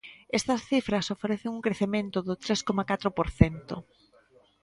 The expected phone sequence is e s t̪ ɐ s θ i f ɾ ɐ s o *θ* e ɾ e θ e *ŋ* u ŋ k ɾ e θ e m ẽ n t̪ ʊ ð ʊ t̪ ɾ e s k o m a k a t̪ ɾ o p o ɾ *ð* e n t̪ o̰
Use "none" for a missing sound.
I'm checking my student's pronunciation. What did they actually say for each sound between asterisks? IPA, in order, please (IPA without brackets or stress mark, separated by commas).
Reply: f, ŋ, θ